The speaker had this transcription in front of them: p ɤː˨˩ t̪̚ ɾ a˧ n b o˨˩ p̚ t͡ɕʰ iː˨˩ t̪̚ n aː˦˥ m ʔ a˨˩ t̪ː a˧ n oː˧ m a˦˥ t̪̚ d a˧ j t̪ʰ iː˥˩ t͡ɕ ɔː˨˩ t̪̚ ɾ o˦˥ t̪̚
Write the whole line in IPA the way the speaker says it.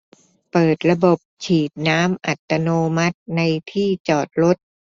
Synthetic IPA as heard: p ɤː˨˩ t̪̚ ɾ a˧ b o˨˩ p̚ t͡ɕʰ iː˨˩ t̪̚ n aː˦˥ m ʔ a˨˩ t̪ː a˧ n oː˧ m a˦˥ t̪̚ n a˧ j t̪ʰ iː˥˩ t͡ɕ ɔː˨˩ t̪̚ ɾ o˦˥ t̪̚